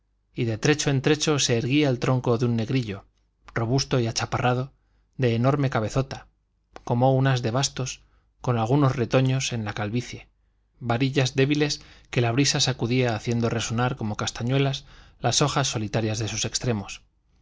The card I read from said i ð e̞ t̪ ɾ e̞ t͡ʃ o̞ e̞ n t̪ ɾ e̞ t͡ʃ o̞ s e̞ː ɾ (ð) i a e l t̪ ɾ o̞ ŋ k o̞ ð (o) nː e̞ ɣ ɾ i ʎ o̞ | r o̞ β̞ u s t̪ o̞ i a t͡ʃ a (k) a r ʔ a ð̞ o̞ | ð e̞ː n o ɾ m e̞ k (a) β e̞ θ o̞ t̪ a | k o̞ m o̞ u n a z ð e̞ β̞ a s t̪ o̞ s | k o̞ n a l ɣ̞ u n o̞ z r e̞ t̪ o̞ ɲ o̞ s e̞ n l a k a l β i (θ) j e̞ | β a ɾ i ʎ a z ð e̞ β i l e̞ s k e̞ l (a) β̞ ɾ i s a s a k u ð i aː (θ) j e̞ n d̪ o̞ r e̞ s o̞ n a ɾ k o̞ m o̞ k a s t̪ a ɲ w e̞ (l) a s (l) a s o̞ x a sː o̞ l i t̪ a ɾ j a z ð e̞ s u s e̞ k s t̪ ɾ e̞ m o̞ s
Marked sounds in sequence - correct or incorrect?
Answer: incorrect, incorrect, incorrect, correct, correct, correct, correct, correct, correct

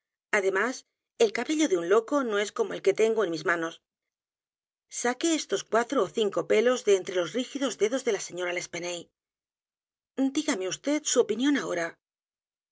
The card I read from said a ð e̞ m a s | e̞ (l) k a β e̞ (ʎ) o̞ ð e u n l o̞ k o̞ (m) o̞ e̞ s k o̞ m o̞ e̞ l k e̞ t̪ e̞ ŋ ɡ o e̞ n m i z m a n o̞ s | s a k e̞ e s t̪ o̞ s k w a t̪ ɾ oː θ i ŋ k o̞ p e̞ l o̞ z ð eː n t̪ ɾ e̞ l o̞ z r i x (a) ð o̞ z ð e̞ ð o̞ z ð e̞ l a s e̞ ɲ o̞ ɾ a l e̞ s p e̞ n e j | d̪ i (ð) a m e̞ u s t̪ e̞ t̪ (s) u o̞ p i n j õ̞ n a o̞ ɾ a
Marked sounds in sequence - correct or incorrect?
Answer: correct, correct, incorrect, incorrect, incorrect, correct

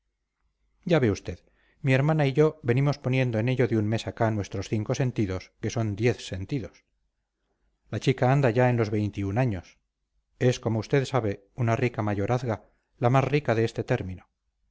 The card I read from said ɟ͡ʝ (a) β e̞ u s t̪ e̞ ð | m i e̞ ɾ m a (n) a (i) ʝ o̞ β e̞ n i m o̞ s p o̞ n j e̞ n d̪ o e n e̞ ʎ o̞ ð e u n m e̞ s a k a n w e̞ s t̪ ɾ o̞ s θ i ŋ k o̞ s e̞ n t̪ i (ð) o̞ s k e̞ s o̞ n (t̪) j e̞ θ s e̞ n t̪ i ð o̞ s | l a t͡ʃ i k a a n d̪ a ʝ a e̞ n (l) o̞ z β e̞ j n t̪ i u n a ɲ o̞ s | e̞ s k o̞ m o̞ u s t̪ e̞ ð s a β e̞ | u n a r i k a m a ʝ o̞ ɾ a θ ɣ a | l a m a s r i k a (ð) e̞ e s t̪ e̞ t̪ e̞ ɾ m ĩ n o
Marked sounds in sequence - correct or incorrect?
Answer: correct, correct, correct, correct, incorrect, correct, correct

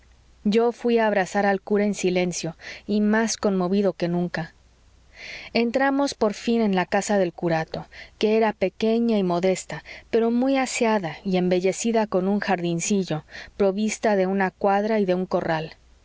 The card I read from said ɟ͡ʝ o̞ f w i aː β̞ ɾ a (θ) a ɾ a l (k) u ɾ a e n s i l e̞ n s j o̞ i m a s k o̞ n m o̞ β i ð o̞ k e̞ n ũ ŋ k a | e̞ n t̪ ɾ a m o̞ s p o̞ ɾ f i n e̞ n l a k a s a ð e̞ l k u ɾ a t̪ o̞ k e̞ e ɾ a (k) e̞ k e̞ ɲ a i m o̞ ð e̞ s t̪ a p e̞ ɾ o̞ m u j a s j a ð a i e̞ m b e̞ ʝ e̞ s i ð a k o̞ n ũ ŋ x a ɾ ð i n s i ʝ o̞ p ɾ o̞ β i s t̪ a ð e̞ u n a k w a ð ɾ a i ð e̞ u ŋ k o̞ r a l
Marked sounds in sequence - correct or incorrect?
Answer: incorrect, correct, incorrect

